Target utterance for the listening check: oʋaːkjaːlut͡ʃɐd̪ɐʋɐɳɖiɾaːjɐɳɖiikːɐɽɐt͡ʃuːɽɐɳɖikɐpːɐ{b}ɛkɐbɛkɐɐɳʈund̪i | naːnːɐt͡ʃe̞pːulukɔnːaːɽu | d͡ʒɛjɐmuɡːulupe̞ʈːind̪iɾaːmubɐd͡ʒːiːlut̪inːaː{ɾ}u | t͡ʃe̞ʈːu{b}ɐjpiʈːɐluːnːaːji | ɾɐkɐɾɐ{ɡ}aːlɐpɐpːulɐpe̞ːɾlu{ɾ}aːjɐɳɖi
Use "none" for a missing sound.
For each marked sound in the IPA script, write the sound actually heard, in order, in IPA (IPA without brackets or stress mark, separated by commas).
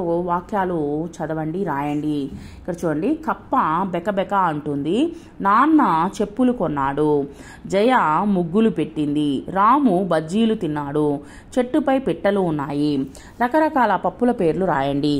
b, ɽ, p, k, ɾ